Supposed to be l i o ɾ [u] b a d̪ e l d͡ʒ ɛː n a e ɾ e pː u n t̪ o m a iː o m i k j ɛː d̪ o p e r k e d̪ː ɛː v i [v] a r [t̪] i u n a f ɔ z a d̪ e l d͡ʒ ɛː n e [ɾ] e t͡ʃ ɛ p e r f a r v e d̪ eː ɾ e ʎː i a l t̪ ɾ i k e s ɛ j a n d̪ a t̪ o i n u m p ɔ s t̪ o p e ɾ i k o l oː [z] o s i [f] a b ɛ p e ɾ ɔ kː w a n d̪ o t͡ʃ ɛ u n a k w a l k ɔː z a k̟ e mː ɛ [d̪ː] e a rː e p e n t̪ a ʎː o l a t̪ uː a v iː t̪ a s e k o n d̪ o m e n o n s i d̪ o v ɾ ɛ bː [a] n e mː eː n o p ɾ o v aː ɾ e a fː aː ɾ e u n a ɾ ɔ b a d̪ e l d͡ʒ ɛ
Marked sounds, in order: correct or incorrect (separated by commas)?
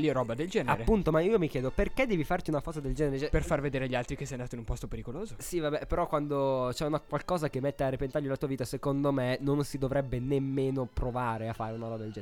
incorrect, incorrect, correct, correct, correct, incorrect, incorrect, incorrect